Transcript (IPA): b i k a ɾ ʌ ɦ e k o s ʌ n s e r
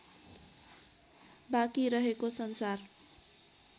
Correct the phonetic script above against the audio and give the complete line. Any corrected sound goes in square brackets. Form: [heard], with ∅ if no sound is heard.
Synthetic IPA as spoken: b [a] k [i] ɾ ʌ ɦ e k o s ʌ n s [a] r

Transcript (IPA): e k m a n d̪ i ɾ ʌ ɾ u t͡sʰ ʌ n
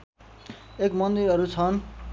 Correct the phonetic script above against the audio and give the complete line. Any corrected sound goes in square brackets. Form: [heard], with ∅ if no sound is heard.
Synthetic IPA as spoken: e k m [ʌ] n d̪ i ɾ ʌ ɾ u t͡sʰ ʌ n

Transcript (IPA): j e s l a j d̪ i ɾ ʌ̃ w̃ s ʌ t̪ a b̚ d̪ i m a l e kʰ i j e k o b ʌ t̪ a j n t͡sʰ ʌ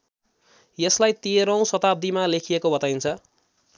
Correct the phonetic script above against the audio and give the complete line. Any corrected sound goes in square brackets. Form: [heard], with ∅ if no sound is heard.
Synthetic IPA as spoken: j e s l a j [t̪] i ɾ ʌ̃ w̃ s ʌ t̪ a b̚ d̪ i m a l e kʰ i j e k o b ʌ t̪ a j n t͡sʰ ʌ

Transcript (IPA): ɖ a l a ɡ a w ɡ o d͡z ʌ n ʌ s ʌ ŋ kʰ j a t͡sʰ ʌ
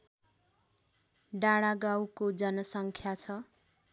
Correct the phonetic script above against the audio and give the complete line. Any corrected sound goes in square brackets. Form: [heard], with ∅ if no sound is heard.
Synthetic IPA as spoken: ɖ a [ɽ] a ɡ a w [k] o d͡z ʌ n ʌ s ʌ ŋ kʰ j a t͡sʰ ʌ

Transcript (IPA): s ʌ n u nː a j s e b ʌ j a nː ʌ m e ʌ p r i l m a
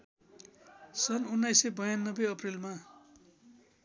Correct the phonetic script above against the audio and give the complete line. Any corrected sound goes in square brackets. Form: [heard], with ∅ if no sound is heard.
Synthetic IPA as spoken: s ʌ n u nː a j s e b ʌ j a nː ʌ [b] e ʌ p r i l m a

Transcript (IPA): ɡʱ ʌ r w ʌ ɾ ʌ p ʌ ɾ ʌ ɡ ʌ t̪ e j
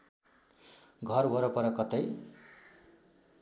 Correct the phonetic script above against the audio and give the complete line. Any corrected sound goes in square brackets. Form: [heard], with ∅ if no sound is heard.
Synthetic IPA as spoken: ɡʱ ʌ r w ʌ ɾ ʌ p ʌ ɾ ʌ [k] ʌ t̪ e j

